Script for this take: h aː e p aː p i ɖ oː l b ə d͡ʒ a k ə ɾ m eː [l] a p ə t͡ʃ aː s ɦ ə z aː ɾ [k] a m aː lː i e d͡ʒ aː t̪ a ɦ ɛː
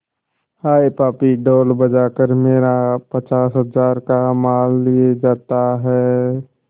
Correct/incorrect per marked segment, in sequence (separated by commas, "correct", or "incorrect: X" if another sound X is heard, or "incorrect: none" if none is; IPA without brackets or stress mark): incorrect: ɾ, correct